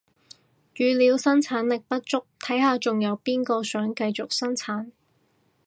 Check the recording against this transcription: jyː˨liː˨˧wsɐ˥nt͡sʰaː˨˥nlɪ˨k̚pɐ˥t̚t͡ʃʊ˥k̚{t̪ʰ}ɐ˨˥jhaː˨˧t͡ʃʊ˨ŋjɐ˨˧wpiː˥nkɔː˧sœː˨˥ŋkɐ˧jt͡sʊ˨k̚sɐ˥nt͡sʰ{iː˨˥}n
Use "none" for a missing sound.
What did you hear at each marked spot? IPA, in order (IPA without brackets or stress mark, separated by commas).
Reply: t̪ʰ, aː˨˥